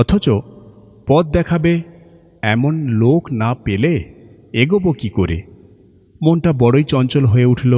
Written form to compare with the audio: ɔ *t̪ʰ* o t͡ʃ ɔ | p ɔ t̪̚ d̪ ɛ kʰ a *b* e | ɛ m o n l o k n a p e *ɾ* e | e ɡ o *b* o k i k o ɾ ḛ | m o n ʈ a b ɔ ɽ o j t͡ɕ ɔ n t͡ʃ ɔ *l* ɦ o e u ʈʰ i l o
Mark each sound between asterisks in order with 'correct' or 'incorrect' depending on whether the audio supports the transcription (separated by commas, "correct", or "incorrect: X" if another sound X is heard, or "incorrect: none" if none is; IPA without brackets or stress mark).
correct, correct, incorrect: l, correct, correct